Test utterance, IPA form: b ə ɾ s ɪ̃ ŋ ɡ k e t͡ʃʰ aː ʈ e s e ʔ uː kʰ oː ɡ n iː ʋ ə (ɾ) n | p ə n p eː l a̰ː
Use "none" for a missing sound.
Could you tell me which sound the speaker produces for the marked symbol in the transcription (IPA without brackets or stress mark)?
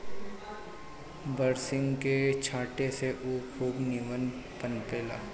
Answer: none